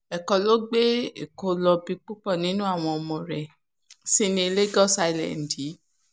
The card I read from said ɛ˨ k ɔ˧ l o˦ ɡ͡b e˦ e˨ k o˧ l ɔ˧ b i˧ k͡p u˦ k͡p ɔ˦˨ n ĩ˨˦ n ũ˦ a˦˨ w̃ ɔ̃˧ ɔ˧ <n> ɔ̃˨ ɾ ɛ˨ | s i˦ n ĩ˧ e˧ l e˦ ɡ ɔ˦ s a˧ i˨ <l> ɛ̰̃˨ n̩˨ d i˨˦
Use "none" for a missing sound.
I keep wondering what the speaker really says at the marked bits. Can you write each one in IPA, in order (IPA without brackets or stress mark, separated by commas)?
m, l